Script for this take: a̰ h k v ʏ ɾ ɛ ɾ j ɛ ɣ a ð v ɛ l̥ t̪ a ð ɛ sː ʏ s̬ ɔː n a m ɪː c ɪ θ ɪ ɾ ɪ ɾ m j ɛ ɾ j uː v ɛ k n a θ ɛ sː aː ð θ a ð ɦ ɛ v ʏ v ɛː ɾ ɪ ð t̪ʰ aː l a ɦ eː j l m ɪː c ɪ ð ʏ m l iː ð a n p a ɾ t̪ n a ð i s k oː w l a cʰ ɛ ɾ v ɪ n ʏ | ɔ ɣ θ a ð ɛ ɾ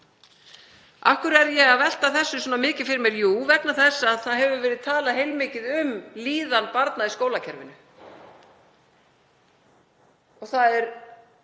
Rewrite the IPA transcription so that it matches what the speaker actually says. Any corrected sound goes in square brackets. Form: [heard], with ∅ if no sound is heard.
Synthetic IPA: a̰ h k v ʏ ɾ ɛ ɾ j ɛ ɣ a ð v ɛ l̥ t̪ a [θ] ɛ sː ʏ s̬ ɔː n a m ɪː c ɪ [f] ɪ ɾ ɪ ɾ m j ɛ ɾ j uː v ɛ k n a θ ɛ sː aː ð θ a ð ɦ ɛ v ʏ v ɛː ɾ ɪ ð t̪ʰ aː l a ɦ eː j l m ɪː c ɪ ð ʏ m l iː ð a n p a ɾ t̪ n a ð i s k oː w l a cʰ ɛ ɾ v ɪ n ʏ | ɔ ɣ θ a ð ɛ ɾ